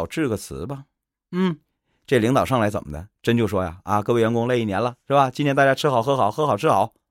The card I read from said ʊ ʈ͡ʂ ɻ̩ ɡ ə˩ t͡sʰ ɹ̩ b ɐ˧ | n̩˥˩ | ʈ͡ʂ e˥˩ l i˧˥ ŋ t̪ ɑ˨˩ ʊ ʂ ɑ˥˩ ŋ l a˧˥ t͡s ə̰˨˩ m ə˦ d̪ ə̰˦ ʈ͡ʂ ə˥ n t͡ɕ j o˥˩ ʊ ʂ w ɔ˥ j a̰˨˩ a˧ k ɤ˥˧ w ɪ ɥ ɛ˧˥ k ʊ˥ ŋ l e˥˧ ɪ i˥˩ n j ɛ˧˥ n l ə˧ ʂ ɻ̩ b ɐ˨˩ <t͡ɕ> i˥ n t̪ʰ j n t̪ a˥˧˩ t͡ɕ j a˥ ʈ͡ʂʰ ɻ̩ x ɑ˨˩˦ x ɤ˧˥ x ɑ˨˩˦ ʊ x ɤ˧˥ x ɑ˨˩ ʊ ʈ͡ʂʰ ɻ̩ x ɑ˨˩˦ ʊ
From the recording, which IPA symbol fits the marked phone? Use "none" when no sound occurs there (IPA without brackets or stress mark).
t͡ɕ